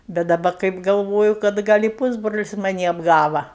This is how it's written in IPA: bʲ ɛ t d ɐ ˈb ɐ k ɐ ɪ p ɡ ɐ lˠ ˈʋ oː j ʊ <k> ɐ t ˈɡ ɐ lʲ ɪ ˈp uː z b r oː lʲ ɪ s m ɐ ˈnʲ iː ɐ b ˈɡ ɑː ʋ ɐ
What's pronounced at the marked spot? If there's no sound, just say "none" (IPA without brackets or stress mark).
k